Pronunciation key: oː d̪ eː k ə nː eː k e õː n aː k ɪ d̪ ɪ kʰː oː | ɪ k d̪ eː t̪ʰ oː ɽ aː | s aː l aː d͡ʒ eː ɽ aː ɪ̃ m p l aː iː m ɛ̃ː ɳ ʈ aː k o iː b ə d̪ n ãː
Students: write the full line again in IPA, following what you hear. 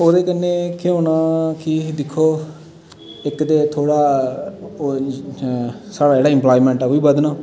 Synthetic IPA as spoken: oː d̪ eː k ə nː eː k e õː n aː k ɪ d̪ ɪ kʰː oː | ɪ k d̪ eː t̪ʰ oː ɽ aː | s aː ɽ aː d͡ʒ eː ɽ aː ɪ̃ m p l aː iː m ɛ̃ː ɳ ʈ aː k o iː b ə d̪ n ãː